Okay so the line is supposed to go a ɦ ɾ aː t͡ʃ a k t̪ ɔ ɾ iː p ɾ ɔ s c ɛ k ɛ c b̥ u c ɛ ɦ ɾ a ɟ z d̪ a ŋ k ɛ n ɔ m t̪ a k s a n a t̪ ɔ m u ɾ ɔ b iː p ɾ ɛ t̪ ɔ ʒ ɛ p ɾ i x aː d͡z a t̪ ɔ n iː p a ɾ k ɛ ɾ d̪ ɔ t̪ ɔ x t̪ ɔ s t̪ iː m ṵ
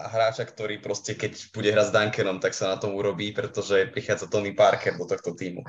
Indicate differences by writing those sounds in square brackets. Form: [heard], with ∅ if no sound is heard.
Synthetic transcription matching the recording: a ɦ ɾ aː t͡ʃ a k t̪ ɔ ɾ iː p ɾ ɔ s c ɛ k ɛ c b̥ u [ɟ] ɛ ɦ ɾ a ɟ z d̪ a ŋ k ɛ n ɔ m t̪ a k s a n a t̪ ɔ m u ɾ ɔ b iː p ɾ ɛ t̪ ɔ ʒ ɛ p ɾ i x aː d͡z a t̪ ɔ n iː p a ɾ k ɛ ɾ d̪ ɔ t̪ ɔ x t̪ ɔ [∅] t̪ iː m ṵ